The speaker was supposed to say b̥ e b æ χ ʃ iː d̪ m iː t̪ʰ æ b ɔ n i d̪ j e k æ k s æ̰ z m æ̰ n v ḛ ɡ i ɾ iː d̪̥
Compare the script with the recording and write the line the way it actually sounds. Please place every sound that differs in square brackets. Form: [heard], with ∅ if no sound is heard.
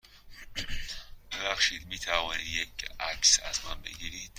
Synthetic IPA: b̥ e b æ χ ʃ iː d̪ m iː t̪ʰ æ [v] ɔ n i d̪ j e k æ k s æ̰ z m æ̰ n [b] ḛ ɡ i ɾ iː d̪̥